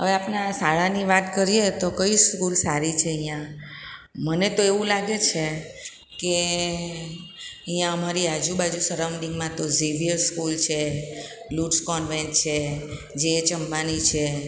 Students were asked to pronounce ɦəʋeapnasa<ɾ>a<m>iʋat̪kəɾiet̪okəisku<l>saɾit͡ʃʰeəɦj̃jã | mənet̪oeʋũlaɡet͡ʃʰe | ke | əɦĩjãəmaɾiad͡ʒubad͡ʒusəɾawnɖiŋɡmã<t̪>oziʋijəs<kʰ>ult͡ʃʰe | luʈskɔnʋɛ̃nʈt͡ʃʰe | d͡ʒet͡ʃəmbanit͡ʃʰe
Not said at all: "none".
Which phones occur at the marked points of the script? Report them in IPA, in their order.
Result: ɭ, n, l, t̪, k

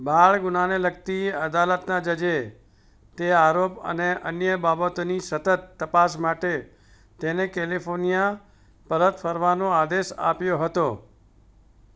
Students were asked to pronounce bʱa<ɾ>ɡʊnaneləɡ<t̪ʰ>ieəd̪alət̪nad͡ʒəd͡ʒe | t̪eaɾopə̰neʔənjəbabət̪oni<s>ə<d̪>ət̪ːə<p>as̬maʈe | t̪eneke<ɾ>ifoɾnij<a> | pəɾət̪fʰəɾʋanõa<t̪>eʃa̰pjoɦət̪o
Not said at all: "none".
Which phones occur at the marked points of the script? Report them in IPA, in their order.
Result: ɭ, t̪, s, t̪, p, l, a, d̪

